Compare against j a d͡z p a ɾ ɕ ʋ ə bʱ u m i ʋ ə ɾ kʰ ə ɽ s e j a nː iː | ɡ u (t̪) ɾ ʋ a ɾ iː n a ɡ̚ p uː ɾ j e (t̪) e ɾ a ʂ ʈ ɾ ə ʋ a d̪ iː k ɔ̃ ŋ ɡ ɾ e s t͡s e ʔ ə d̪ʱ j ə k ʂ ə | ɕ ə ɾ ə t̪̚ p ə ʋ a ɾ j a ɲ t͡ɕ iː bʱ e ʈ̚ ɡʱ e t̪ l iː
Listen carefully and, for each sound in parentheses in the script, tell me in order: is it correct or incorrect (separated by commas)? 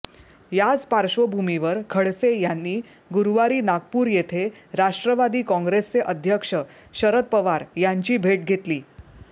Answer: incorrect, incorrect